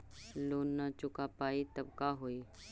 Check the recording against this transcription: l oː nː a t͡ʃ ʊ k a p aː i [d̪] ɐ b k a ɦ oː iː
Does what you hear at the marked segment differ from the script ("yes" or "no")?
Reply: yes